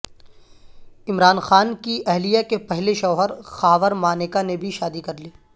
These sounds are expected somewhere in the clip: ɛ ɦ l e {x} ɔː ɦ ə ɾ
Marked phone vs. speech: incorrect: ʃ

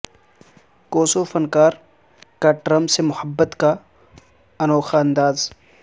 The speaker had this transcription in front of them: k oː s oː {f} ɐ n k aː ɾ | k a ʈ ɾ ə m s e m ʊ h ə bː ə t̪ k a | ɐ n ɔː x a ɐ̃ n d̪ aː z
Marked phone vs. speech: correct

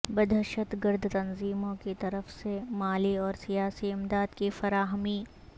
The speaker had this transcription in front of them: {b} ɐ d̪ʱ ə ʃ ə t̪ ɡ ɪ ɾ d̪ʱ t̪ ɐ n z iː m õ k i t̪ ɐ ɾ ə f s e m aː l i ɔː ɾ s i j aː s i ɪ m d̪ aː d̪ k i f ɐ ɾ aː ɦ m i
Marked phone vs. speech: correct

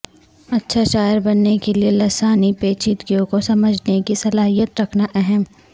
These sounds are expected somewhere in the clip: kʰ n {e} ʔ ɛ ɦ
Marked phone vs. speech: incorrect: a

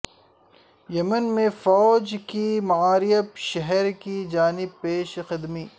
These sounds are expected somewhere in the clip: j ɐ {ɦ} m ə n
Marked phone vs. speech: incorrect: none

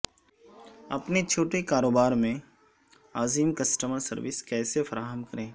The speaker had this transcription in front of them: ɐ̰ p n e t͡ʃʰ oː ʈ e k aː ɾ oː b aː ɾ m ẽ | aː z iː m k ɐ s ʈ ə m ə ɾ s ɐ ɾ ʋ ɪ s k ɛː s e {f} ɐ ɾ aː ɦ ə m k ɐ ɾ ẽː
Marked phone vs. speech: correct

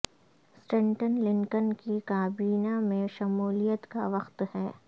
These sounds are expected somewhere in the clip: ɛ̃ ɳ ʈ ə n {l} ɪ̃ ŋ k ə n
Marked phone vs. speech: correct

